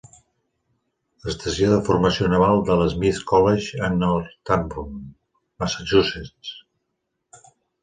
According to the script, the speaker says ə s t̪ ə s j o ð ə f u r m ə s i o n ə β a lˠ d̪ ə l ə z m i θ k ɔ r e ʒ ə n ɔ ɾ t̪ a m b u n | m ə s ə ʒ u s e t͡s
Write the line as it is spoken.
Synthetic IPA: ə s t̪ ə s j o ð ə f u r m ə s i o n ə β a lˠ d̪ ə l ə z m i θ k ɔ l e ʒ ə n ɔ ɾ t̪ a m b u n | m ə s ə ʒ u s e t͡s